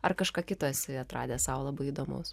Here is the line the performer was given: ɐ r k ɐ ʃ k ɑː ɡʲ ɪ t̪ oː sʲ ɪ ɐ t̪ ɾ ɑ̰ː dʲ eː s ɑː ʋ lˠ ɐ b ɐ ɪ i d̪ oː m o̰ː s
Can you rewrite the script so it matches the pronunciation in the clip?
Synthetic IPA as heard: ɐ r k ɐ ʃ k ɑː kʲ ɪ t̪ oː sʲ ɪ ɐ t̪ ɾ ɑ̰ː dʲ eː s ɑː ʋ lˠ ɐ b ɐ ɪ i d̪ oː m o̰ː s